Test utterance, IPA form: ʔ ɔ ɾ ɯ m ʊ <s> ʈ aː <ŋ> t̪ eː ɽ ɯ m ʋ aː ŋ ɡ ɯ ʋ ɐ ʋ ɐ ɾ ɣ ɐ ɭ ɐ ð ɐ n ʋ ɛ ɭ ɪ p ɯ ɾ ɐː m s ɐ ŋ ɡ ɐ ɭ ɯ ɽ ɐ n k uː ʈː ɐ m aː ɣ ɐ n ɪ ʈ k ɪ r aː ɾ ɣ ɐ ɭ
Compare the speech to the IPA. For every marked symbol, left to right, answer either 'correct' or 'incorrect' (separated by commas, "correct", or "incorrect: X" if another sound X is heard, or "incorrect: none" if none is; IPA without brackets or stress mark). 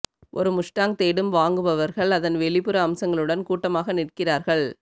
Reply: incorrect: ʂ, correct